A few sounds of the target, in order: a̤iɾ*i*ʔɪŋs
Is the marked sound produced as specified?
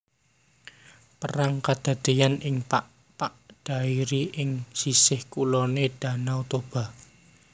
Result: yes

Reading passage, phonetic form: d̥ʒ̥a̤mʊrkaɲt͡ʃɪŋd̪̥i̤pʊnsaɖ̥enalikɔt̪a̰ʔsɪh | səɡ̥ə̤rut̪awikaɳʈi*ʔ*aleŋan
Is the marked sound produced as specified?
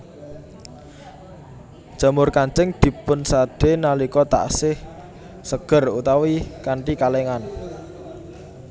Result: no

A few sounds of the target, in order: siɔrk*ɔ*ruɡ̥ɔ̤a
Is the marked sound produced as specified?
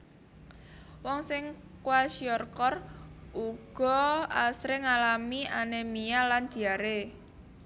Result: yes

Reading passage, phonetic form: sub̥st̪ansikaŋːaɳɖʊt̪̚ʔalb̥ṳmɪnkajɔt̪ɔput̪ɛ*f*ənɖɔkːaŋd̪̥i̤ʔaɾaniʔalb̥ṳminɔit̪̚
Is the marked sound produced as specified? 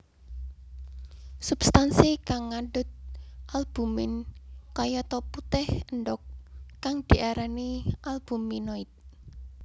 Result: no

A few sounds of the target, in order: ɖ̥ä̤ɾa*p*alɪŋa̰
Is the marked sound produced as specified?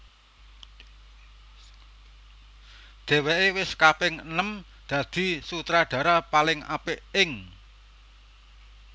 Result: yes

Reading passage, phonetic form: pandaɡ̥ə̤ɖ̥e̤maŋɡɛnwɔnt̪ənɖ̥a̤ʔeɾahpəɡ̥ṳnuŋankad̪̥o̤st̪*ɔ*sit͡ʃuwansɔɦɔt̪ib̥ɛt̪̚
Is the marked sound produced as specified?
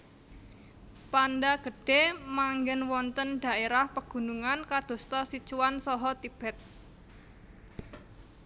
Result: yes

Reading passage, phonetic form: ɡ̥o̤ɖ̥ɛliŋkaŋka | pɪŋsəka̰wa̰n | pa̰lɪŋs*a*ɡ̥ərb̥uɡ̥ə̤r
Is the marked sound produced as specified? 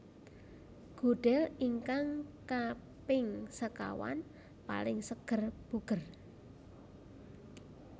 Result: no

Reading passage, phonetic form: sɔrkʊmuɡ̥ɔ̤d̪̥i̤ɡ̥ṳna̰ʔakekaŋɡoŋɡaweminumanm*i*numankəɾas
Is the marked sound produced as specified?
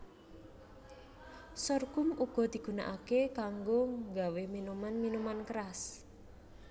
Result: yes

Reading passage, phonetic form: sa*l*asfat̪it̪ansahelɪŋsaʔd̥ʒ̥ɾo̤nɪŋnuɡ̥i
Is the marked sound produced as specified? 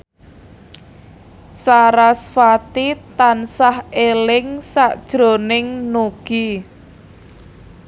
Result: no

